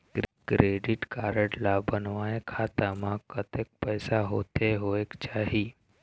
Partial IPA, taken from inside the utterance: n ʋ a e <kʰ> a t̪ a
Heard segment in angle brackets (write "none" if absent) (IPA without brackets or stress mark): kʰ